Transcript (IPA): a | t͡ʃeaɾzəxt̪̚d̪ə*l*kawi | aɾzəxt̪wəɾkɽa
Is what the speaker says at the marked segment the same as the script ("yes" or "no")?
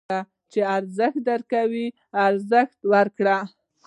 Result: no